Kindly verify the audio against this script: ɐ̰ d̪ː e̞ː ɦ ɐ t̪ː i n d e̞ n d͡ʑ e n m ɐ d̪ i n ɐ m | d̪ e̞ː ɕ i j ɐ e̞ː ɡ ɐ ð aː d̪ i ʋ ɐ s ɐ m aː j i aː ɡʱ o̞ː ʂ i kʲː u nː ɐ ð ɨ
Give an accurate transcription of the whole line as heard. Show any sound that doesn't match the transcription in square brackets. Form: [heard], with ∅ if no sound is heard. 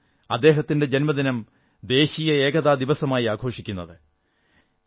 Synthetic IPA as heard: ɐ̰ d̪ː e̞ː ɦ ɐ t̪ː i n d e̞ [∅] d͡ʑ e n m ɐ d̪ i n ɐ m | d̪ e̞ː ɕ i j ɐ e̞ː ɡ ɐ ð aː d̪ i ʋ ɐ s ɐ m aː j i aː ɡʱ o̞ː ʂ i kʲː u nː ɐ ð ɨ